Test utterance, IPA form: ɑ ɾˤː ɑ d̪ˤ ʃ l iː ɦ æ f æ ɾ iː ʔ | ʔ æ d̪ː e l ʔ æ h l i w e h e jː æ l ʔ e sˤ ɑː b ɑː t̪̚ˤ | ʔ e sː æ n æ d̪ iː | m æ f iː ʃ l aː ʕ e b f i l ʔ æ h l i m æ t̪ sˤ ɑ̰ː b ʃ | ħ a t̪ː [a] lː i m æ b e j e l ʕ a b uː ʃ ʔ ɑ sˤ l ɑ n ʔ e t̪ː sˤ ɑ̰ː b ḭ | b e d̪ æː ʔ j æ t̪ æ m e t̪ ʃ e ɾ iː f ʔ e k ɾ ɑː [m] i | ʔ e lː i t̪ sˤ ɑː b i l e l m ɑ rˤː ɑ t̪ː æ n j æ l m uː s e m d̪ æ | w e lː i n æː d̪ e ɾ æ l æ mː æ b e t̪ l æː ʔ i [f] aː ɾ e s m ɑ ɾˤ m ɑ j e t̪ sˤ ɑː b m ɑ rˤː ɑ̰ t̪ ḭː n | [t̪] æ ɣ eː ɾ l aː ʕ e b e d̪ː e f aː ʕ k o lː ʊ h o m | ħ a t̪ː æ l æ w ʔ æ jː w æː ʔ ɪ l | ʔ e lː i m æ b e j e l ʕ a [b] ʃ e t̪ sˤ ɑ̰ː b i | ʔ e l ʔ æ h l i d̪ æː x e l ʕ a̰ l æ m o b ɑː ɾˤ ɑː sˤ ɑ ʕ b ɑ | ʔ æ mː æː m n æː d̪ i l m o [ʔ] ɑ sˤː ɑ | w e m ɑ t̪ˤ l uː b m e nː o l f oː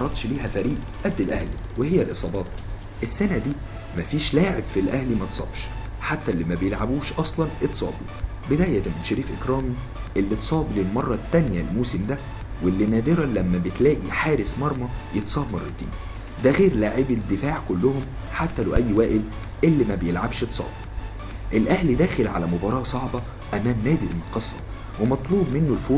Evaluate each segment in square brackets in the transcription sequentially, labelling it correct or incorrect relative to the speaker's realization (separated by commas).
incorrect, correct, incorrect, incorrect, correct, incorrect